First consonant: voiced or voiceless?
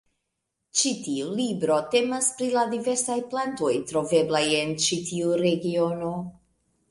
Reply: voiceless